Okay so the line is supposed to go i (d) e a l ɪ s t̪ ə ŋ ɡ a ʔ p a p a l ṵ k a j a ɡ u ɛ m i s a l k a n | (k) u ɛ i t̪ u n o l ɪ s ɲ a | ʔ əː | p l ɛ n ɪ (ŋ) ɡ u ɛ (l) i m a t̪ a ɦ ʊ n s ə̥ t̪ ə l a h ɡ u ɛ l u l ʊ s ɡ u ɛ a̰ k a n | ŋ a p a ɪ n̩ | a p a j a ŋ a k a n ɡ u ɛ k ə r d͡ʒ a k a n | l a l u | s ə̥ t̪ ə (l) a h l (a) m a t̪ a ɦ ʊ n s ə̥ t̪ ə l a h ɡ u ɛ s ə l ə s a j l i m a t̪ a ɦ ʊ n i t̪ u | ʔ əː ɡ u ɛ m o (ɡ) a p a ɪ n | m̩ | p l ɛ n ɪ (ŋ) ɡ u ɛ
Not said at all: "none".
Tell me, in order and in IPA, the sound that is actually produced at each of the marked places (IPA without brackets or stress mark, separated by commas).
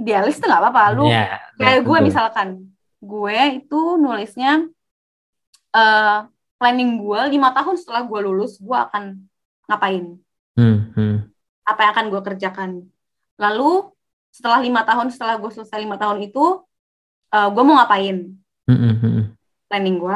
d, ɡ, ŋ, l, l, i, ŋ, ŋ